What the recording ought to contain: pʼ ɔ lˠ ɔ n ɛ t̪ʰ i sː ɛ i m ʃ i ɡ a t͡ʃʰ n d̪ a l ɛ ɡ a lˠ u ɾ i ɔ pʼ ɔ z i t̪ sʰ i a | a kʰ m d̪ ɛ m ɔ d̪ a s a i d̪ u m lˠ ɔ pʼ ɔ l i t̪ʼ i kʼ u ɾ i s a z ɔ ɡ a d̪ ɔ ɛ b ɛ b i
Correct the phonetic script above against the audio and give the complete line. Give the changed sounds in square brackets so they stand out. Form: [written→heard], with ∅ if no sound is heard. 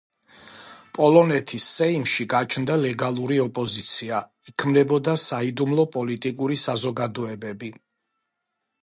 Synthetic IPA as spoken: pʼ ɔ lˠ ɔ n ɛ t̪ʰ i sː ɛ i m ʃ i ɡ a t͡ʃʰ n d̪ a l ɛ ɡ a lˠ u ɾ i ɔ pʼ ɔ z i t̪ sʰ i a | [a→i] kʰ m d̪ ɛ [m→b] ɔ d̪ a s a i d̪ u m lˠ ɔ pʼ ɔ l i t̪ʼ i kʼ u ɾ i s a z ɔ ɡ a d̪ ɔ ɛ b ɛ b i